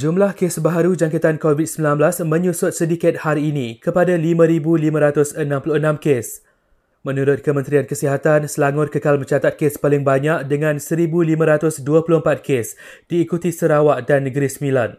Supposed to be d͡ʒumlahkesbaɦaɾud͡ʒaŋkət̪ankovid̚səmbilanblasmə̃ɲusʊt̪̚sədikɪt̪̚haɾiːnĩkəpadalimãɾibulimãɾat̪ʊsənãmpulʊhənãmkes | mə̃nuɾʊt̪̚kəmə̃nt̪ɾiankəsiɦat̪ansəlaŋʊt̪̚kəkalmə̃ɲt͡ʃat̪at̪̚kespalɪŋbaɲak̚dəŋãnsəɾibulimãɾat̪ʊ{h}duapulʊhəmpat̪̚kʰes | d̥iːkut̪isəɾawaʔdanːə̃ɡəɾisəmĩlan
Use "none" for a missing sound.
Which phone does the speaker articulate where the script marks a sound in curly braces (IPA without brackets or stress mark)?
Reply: s